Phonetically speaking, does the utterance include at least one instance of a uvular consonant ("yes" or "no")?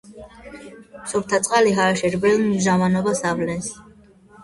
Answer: yes